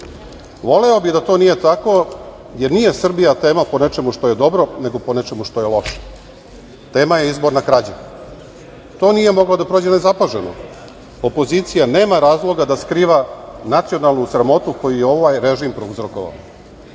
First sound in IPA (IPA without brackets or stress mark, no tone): ʋ